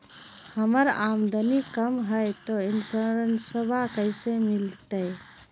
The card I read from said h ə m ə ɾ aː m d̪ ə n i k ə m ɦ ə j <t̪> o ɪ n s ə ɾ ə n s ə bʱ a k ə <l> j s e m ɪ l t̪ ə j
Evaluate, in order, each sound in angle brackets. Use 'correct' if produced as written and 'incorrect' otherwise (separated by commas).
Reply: correct, incorrect